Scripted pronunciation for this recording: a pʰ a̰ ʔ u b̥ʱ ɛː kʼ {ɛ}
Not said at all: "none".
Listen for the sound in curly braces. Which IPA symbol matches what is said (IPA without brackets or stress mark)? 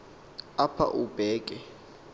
ɛ